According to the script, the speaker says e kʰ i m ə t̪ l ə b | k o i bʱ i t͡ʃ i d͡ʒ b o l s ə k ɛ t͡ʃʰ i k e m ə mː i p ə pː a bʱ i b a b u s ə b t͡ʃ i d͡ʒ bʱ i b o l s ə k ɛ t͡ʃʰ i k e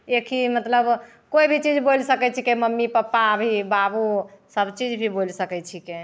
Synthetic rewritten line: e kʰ i m ə t̪ l ə b | k o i bʱ i t͡ʃ i d͡ʒ b o l s ə k ɛ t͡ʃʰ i k e m ə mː i p ə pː a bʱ i b a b u s ə b t͡ʃ i d͡ʒ bʱ i b o l s ə k ɛ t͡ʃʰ i k e